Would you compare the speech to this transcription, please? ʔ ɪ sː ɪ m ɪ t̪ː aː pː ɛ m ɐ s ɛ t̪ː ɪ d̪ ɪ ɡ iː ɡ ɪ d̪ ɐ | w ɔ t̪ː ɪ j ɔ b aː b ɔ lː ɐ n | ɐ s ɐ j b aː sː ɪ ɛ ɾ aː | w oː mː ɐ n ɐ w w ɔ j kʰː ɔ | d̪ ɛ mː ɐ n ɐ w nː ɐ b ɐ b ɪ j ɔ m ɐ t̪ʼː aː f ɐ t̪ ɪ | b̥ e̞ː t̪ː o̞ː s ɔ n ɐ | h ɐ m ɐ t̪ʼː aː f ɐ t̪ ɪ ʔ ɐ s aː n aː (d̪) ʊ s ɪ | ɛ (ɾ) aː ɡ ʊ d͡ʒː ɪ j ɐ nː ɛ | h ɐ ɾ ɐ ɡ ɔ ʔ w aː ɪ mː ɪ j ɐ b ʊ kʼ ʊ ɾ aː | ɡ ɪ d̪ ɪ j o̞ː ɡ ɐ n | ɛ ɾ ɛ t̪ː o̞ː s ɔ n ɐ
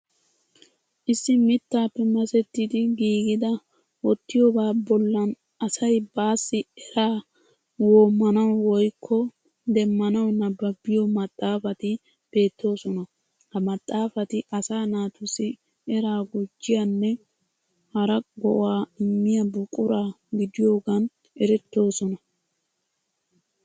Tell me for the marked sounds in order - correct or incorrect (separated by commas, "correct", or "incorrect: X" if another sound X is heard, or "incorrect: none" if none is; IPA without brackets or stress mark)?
incorrect: t̪, correct